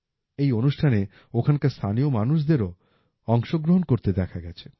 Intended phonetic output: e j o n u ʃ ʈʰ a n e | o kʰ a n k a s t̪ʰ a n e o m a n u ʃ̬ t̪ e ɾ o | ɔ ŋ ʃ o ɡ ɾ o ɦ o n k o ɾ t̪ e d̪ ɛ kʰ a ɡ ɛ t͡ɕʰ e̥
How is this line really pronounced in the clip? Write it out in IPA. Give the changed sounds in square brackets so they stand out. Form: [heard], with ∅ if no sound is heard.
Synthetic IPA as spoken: e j o n u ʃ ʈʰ a n e | o kʰ a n k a s t̪ʰ a n [i] o m a n u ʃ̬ [d̪] e ɾ o | ɔ ŋ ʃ o ɡ ɾ o ɦ o n k o ɾ t̪ e d̪ ɛ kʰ a ɡ ɛ t͡ɕʰ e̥